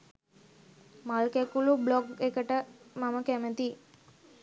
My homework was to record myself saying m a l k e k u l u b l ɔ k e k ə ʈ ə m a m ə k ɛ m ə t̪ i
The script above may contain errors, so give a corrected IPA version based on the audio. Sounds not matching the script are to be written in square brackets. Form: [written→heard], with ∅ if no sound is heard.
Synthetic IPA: m a l k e k u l u b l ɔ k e k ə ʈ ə m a m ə k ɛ m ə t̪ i